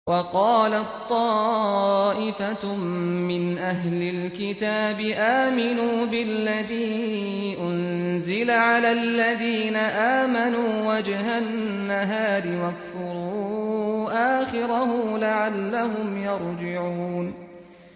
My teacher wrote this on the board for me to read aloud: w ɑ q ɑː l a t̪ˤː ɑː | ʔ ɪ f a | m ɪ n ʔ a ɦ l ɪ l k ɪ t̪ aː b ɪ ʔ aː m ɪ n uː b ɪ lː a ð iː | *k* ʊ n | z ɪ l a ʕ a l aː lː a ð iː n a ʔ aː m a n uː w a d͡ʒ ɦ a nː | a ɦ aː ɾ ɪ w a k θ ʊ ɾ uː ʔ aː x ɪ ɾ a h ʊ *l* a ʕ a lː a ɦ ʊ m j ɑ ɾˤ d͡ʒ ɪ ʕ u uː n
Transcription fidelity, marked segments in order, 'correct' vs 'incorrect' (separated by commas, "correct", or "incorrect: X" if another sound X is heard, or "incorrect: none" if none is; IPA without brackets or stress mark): incorrect: ʔ, correct